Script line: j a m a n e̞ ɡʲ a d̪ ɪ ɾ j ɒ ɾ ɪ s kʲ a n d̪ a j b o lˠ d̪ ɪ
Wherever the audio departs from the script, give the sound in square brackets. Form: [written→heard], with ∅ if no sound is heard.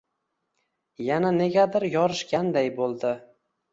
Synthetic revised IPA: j a [m→n] a n e̞ ɡʲ a d̪ ɪ ɾ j ɒ ɾ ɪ [s→ʃ] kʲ a n d̪ a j b o lˠ d̪ ɪ